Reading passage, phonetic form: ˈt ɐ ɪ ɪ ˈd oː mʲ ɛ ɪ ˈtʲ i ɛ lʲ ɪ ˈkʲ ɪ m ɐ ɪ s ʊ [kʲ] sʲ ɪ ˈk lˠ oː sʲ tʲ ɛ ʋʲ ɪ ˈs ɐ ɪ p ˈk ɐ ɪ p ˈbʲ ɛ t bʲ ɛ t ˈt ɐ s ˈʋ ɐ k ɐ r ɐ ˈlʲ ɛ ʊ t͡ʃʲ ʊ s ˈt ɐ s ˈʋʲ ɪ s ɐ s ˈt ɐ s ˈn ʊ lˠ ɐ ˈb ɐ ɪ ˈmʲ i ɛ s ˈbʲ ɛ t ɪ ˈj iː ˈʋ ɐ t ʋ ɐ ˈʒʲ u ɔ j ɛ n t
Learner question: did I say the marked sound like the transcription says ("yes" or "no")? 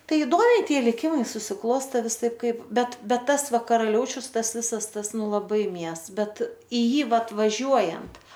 no